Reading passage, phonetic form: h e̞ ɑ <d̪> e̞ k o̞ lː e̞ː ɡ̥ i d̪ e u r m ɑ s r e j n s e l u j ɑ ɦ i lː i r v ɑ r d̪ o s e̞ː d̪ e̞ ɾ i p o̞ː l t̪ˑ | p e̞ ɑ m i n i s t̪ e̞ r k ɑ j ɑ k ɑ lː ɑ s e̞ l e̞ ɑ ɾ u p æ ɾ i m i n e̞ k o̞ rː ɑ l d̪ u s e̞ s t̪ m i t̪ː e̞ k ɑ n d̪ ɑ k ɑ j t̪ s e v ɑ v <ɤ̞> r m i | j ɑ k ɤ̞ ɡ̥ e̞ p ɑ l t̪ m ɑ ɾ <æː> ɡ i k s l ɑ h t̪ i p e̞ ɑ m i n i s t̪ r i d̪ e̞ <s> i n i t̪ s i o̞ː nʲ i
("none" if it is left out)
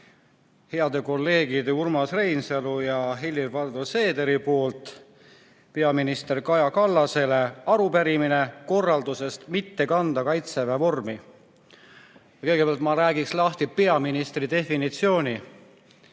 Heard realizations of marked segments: d̪, o̞, æː, f

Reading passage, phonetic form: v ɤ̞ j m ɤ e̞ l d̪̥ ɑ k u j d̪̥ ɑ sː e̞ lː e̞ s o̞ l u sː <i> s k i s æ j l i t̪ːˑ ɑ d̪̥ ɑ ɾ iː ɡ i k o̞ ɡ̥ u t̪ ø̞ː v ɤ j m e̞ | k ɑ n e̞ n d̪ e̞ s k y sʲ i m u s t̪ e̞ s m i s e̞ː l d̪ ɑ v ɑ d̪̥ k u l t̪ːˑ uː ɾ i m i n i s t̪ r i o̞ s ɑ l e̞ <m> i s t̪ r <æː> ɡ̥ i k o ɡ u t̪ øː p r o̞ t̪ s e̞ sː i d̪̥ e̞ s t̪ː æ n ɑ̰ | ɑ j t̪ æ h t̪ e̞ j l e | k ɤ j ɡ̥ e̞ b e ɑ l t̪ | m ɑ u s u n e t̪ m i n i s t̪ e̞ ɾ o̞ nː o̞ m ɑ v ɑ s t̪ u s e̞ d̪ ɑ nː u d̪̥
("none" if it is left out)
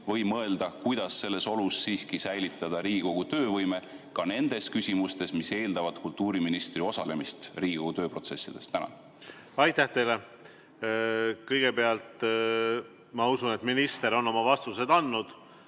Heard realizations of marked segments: iː, m, iː

